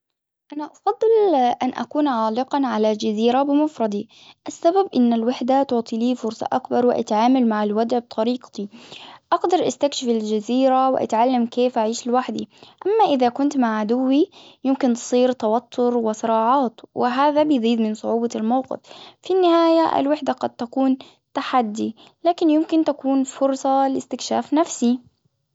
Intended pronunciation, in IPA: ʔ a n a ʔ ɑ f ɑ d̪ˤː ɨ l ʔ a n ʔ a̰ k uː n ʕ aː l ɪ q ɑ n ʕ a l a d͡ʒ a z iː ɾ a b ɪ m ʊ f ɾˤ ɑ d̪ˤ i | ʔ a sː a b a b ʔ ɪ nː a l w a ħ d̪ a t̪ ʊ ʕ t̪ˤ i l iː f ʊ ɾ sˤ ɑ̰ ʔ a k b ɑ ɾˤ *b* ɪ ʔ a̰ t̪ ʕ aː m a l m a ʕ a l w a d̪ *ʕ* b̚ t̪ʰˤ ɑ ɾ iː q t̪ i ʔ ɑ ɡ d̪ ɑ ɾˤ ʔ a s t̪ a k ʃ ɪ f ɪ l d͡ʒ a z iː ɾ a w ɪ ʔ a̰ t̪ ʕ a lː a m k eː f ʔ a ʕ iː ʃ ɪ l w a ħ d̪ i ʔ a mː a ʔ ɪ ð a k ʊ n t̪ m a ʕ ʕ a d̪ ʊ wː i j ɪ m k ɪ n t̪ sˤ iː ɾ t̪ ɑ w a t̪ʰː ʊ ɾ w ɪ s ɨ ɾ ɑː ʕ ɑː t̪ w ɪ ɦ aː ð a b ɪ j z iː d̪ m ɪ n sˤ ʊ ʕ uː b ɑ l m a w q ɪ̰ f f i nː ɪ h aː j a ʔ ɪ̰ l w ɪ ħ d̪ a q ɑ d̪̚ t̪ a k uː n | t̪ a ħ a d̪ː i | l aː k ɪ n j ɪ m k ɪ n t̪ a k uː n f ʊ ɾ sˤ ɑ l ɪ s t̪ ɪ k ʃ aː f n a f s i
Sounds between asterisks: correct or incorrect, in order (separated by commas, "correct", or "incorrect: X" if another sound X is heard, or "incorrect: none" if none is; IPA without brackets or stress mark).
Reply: incorrect: w, correct